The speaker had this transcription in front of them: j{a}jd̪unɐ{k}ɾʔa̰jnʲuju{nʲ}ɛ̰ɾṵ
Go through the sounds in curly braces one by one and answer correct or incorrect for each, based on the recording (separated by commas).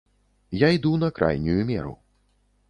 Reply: correct, correct, incorrect